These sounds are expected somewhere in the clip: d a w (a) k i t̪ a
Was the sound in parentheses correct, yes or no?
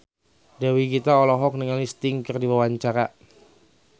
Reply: no